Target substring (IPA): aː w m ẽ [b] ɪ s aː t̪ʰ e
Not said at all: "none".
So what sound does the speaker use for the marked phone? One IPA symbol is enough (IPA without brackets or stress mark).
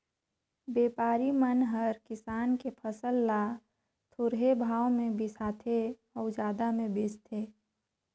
b